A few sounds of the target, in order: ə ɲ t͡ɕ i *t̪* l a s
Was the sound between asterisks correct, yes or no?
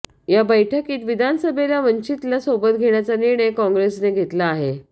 yes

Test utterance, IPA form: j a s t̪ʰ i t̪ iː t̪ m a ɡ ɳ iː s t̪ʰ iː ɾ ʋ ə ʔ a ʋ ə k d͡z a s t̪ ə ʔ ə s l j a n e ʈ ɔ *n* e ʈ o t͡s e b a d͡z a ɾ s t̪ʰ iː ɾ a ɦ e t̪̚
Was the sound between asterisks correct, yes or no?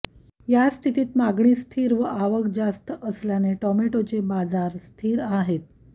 no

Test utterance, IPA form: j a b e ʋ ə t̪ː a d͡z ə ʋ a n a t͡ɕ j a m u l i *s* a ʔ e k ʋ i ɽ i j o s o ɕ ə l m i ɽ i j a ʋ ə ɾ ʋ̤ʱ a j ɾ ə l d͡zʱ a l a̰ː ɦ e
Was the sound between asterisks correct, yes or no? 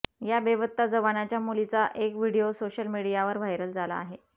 no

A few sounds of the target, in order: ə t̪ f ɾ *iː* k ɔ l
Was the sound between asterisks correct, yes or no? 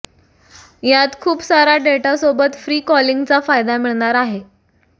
yes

